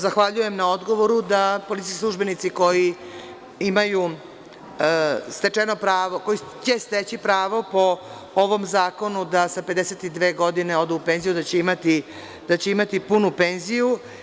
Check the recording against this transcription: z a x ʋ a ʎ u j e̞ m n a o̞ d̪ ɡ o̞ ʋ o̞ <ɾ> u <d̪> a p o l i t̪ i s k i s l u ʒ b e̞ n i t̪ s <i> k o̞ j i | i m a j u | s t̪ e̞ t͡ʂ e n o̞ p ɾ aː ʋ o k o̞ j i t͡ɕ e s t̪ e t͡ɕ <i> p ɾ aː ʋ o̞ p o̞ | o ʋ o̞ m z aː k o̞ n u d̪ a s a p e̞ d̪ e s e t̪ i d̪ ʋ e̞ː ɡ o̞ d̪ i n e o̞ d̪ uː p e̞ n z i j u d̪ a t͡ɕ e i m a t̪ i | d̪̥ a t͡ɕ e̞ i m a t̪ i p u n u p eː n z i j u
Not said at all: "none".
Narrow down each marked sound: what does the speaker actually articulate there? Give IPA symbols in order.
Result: ɾ, d̪, i, i

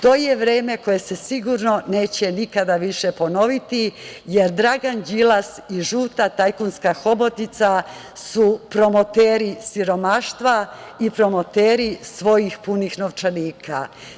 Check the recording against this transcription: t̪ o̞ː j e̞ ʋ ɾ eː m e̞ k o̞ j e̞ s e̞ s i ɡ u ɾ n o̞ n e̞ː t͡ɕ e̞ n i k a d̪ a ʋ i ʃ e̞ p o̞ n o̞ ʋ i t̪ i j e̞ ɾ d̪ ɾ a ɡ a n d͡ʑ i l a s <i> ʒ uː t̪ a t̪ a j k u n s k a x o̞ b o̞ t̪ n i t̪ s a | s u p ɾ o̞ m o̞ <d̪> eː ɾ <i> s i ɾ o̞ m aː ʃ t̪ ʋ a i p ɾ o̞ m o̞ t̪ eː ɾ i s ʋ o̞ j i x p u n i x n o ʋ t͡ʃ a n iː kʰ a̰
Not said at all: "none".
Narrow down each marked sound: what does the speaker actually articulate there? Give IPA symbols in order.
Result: i, t̪, i

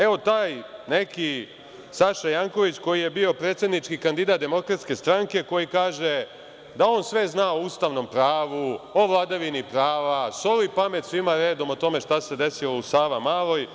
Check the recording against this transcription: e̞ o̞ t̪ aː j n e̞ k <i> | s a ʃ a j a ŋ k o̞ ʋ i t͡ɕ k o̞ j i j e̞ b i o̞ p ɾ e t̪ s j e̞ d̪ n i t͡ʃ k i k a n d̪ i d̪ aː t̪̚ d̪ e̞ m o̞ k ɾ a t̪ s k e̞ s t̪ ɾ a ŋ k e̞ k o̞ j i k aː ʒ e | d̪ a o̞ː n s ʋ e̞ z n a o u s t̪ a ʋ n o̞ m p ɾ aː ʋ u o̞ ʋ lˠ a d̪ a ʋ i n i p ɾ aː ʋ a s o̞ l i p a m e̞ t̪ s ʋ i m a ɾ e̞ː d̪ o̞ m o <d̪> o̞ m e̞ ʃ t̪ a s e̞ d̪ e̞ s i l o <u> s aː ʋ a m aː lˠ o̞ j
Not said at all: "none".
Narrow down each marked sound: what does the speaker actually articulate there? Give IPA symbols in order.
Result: i, t̪, u

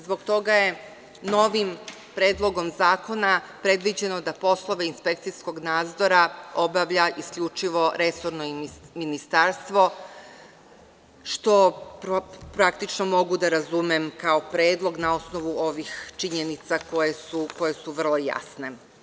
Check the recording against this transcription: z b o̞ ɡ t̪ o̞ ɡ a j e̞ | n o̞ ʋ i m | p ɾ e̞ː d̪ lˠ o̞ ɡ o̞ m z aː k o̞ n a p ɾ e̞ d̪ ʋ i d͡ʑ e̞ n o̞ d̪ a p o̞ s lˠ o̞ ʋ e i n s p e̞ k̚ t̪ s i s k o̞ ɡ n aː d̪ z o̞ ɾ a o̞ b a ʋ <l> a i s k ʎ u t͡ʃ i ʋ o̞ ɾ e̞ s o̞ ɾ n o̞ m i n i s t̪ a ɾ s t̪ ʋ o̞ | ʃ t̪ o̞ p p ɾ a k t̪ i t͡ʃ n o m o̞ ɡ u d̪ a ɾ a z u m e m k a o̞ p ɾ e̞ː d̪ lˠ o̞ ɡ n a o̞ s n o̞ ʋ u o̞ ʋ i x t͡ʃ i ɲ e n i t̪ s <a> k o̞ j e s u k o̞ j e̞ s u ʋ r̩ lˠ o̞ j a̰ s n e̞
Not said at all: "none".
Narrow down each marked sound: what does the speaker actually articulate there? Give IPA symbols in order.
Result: ʎ, a

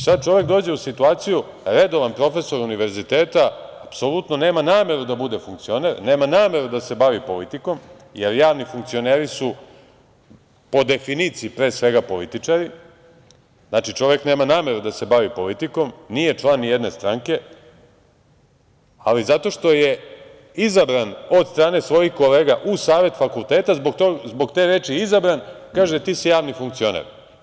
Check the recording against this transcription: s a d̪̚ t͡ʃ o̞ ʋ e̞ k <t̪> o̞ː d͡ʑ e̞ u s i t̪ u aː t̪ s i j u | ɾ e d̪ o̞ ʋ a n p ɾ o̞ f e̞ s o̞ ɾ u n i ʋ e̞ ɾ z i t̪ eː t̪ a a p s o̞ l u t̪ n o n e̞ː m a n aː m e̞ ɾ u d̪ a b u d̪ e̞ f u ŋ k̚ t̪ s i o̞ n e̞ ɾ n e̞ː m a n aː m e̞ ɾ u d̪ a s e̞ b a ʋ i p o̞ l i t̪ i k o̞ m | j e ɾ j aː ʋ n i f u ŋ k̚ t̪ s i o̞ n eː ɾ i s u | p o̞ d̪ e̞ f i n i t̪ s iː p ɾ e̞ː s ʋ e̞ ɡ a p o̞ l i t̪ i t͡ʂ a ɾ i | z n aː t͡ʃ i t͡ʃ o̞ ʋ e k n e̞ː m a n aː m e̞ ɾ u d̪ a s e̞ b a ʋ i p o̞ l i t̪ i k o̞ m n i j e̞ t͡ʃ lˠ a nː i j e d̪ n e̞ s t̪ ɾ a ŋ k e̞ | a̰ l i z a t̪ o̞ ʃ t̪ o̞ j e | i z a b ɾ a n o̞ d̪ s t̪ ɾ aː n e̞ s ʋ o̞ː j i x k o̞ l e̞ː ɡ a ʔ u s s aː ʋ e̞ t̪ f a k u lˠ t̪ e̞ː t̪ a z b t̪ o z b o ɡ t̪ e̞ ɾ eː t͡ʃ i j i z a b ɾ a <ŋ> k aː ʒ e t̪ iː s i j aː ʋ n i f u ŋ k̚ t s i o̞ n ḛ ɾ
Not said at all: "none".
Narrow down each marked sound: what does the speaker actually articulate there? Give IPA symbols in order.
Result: d̪, n

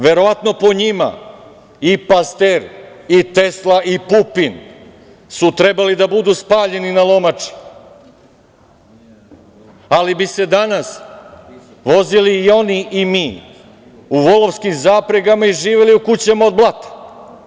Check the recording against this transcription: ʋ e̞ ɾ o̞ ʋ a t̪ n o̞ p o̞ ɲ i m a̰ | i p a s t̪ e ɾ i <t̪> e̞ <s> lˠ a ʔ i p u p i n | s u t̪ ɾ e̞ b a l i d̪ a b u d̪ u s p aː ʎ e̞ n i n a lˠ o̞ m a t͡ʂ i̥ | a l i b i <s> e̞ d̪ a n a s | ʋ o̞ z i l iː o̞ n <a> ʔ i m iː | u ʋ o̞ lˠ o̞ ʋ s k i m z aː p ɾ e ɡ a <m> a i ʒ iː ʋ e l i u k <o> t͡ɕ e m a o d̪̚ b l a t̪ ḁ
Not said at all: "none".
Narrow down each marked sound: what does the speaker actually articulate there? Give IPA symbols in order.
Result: t̪, s, s, i, m, u

